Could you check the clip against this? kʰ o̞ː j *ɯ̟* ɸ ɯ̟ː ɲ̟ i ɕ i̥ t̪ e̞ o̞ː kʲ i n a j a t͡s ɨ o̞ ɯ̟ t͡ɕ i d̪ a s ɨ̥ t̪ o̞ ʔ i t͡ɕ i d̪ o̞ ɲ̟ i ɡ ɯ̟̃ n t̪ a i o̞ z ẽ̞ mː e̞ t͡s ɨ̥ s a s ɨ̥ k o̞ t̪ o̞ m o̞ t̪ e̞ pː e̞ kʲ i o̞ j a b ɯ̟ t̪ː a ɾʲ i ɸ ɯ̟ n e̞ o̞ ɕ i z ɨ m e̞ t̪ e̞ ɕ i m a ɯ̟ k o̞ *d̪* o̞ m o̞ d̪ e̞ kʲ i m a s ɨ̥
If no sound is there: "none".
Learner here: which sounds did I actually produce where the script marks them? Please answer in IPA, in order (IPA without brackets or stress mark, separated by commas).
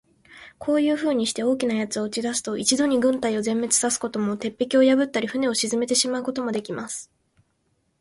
ɯ̟ː, t̪